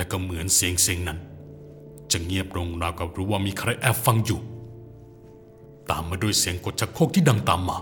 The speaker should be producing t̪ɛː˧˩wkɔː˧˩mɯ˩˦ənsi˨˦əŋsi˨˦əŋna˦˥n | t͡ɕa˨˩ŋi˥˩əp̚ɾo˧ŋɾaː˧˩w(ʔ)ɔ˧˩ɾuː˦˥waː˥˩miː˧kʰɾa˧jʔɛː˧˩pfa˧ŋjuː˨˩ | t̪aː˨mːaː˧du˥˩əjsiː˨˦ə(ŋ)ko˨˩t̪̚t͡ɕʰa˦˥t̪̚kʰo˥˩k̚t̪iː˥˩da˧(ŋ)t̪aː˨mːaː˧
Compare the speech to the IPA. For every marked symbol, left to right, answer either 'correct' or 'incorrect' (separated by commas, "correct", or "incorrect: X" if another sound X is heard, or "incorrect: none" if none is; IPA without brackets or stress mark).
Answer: incorrect: k, correct, correct